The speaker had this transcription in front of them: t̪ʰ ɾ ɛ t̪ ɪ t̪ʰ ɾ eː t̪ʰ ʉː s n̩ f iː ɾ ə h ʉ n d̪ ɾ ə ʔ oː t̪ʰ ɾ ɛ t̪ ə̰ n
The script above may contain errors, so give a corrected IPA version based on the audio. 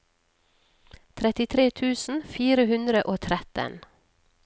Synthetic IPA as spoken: t̪ʰ ɾ ɛ t̪ ɪ t̪ʰ ɾ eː t̪ʰ ʉː s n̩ f iː ɾ ə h ʉ n d̪ ɾ ə ʔ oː t̪ʰ ɾ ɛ t̪ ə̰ n